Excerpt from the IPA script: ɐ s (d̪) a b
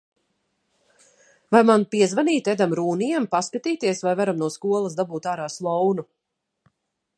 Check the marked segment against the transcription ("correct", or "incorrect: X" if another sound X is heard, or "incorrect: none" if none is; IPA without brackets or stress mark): correct